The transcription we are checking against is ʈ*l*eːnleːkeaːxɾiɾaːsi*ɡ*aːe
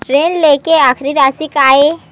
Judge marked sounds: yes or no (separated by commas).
no, no